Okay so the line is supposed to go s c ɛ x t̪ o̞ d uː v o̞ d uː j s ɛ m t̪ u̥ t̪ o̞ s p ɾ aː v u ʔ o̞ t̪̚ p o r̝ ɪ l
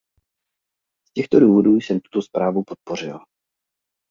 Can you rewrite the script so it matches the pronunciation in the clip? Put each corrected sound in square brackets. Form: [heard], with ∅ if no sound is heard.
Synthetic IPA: s c ɛ x t̪ o̞ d uː v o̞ d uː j s ɛ m t̪ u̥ t̪ o̞ s p ɾ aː v u [p] o̞ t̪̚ p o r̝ ɪ l

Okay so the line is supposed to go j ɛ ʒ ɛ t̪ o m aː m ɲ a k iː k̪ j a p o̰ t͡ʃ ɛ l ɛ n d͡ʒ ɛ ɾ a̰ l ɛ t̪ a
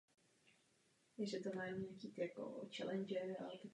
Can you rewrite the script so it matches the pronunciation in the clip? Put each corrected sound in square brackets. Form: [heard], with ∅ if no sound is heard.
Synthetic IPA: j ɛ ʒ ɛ t̪ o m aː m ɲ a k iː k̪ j a [k] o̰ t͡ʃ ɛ l ɛ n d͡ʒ ɛ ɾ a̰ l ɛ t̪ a

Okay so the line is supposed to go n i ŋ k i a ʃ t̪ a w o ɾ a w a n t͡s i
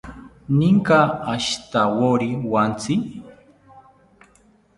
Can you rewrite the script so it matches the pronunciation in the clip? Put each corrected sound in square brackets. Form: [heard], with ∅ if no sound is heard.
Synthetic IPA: n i ŋ k [a] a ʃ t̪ a w o ɾ [i] w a n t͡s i

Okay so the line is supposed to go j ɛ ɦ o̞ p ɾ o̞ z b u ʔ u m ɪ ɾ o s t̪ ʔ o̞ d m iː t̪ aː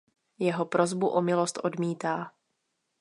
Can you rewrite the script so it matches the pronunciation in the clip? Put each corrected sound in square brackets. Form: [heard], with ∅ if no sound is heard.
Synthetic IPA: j ɛ ɦ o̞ p ɾ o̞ z b u ʔ [o] m ɪ [l] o s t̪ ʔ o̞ d m iː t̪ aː

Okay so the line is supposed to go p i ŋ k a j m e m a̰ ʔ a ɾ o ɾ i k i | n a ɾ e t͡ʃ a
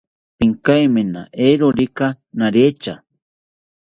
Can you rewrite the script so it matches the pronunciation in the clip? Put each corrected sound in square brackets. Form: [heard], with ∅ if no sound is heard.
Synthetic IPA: p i ŋ k a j m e [n] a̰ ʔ [e] ɾ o ɾ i k [a] | n a ɾ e t͡ʃ a

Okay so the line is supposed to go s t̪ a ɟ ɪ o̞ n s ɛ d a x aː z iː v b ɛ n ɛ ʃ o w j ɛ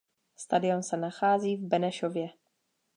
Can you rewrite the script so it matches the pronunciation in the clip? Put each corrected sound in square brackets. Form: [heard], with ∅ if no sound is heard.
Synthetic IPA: s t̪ a [d] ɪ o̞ n s ɛ [n] a x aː z iː v b ɛ n ɛ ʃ o [v] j ɛ

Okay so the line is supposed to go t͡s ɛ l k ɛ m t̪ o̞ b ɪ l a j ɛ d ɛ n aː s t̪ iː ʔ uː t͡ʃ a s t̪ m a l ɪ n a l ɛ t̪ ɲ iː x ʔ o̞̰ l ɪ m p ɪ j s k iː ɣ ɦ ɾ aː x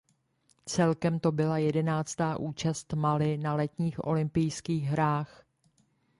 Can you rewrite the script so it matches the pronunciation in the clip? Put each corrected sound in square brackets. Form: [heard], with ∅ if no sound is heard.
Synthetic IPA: t͡s ɛ l k ɛ m t̪ o̞ b ɪ l a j ɛ d ɛ n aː [t͡s] t̪ [aː] ʔ uː t͡ʃ a s t̪ m a l ɪ n a l ɛ t̪ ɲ iː x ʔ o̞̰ l ɪ m p ɪ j s k iː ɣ ɦ ɾ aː x

